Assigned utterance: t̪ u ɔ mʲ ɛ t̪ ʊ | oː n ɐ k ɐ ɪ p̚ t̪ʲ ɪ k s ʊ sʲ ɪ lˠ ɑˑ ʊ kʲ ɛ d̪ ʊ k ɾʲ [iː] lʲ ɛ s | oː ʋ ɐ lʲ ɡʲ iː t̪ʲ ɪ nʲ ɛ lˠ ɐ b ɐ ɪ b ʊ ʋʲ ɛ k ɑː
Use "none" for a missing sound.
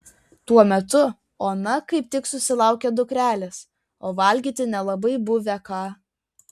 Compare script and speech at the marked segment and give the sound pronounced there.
æː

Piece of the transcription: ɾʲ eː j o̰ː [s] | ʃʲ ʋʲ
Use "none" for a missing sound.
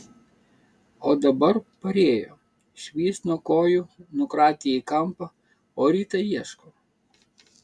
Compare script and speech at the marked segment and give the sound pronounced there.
none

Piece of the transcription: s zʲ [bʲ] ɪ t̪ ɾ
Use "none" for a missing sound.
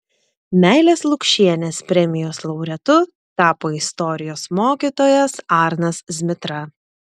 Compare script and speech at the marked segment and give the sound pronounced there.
mʲ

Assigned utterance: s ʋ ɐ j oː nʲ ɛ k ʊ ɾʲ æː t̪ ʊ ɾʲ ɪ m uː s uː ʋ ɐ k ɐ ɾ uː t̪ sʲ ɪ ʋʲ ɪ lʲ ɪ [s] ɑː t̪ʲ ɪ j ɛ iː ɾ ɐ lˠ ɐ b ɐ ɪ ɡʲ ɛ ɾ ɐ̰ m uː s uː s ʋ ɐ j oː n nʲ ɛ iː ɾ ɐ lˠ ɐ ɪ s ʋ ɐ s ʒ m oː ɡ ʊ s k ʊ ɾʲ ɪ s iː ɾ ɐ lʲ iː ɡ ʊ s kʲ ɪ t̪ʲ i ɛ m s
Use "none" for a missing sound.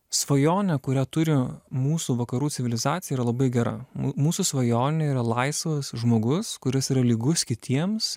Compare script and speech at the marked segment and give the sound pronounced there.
z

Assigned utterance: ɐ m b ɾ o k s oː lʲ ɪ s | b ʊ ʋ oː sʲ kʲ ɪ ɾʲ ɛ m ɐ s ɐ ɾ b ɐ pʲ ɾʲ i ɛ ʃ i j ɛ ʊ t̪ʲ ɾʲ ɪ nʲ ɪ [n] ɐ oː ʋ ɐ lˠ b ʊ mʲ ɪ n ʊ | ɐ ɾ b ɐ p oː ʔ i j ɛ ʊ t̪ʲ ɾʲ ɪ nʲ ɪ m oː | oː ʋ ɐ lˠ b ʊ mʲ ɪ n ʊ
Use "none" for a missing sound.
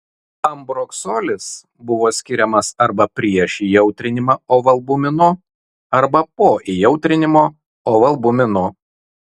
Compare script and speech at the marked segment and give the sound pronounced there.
m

